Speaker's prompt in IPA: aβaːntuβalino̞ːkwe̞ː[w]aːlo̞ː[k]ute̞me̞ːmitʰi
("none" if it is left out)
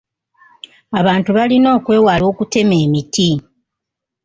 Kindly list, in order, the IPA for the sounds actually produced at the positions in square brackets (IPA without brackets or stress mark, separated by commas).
w, k